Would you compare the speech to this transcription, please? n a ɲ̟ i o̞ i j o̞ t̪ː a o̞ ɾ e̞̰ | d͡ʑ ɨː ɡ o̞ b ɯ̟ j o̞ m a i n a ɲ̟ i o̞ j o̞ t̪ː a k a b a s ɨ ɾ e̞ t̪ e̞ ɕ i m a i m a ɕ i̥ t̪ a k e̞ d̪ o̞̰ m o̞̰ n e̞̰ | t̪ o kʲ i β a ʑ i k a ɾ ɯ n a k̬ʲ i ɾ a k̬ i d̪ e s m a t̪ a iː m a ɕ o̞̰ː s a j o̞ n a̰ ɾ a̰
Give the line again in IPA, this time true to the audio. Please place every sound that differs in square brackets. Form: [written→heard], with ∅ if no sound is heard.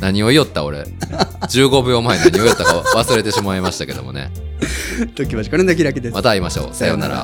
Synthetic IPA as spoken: n a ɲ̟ i o̞ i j o̞ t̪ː a o̞ ɾ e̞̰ | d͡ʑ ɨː ɡ o̞ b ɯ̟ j o̞ m a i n a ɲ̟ i o̞ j o̞ t̪ː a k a [b→β] a s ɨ ɾ e̞ t̪ e̞ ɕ i m a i m a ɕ i̥ t̪ a k e̞ d̪ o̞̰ m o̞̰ n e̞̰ | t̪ o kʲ i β a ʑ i k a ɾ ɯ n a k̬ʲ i ɾ a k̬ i d̪ e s m a t̪ a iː m a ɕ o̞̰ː s a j o̞ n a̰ ɾ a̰